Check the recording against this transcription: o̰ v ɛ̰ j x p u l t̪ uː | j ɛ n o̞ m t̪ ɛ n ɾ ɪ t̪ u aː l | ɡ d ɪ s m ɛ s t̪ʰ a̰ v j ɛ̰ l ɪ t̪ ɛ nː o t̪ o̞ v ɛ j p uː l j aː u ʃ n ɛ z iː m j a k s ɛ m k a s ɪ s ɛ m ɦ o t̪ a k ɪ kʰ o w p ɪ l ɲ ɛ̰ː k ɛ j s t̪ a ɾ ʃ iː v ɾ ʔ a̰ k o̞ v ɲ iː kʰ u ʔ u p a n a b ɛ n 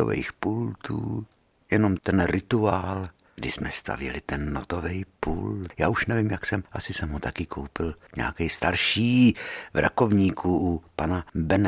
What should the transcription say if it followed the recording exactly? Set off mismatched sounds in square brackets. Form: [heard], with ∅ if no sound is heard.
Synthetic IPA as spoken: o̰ v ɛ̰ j x p u l t̪ uː | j ɛ n o̞ m t̪ ɛ n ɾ ɪ t̪ u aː l | ɡ d ɪ s m ɛ s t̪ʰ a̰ v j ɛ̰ l ɪ t̪ ɛ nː o t̪ o̞ v ɛ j p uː l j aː u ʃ n ɛ [v] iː m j a k s ɛ m [ʔ] a s ɪ s ɛ m ɦ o t̪ a k ɪ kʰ o w p ɪ l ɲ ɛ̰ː k ɛ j s t̪ a ɾ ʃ iː v ɾ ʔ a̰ k o̞ v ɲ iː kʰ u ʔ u p a n a b ɛ n